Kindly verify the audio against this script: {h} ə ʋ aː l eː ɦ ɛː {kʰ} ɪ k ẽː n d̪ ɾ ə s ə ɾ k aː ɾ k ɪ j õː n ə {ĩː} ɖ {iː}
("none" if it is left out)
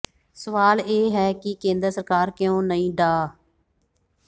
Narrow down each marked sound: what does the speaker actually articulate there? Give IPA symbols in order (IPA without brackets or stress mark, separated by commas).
s, k, ĩː, aː